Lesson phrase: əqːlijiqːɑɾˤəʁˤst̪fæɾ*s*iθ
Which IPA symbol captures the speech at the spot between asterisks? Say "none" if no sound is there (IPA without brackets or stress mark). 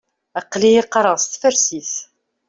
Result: s